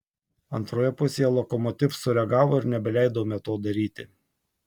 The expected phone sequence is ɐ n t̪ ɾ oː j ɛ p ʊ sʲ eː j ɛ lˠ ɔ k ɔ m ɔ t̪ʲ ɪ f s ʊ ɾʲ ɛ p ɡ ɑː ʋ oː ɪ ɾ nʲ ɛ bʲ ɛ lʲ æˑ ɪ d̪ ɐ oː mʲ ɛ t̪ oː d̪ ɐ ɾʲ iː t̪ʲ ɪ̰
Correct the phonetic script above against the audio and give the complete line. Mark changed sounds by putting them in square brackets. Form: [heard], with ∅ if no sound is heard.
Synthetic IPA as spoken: ɐ n t̪ ɾ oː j ɛ p ʊ sʲ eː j ɛ lˠ ɔ k ɔ m ɔ t̪ʲ ɪ f s ʊ ɾʲ ɛ [∅] ɡ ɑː ʋ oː ɪ ɾ nʲ ɛ bʲ ɛ lʲ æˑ ɪ d̪ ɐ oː mʲ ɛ t̪ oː d̪ ɐ ɾʲ iː t̪ʲ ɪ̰